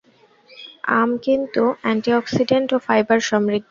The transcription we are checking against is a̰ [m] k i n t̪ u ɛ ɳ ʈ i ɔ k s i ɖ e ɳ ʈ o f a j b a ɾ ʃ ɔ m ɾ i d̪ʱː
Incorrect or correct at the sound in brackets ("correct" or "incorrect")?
correct